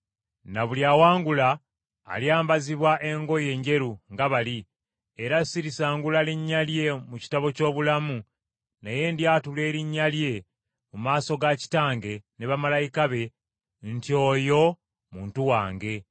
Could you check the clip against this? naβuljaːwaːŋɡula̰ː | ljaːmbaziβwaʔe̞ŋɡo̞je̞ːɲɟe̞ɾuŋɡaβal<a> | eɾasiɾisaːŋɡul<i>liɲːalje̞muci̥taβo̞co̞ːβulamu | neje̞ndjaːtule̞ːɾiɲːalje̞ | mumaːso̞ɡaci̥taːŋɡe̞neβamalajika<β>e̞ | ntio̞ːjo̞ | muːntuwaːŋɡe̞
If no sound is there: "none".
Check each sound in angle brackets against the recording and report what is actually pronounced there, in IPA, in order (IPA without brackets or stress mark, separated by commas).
i, a, β